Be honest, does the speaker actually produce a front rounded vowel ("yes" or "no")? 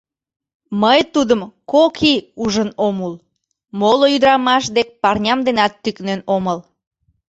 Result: yes